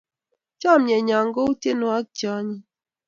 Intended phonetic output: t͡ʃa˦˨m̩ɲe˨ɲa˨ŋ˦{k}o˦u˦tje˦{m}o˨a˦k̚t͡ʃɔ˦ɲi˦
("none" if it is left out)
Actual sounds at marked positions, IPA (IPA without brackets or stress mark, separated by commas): ɡ, n